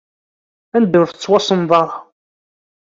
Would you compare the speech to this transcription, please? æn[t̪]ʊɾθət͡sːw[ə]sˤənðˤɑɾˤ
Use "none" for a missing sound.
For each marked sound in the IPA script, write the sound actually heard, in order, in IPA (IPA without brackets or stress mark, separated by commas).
d̪, ɑ